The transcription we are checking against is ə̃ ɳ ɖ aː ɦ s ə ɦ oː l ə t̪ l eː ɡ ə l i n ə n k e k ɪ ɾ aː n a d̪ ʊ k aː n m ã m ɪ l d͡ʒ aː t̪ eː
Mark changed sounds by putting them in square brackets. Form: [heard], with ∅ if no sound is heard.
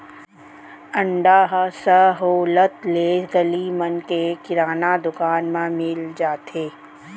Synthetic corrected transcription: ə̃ ɳ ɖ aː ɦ s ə ɦ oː l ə t̪ l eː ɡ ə l i [m] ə n k e k ɪ ɾ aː n a d̪ ʊ k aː n m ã m ɪ l d͡ʒ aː t̪ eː